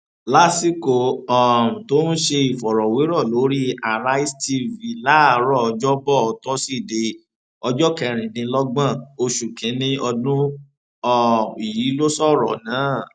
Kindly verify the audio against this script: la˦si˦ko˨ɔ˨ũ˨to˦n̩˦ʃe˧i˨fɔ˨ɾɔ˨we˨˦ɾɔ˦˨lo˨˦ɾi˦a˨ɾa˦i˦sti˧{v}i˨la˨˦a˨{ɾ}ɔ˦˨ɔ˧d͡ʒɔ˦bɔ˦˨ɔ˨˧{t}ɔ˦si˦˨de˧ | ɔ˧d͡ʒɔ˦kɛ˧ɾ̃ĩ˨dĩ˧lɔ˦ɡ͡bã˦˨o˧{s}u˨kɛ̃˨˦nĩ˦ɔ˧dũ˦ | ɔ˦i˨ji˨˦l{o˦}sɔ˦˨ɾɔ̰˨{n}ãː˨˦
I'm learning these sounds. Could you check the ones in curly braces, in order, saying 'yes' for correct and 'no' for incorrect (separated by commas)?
yes, yes, yes, no, yes, yes